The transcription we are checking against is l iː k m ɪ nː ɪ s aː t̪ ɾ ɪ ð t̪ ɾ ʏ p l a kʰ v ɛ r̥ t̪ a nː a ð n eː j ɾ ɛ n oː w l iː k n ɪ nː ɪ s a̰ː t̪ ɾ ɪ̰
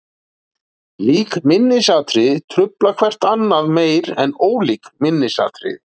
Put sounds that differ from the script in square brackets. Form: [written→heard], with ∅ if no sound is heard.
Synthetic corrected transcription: l iː k m ɪ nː ɪ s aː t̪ ɾ ɪ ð [t̪→t̪ʰ] ɾ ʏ p l a kʰ v ɛ r̥ t̪ a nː a ð [n→m] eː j ɾ ɛ n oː w l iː k [n→m] ɪ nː ɪ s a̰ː t̪ ɾ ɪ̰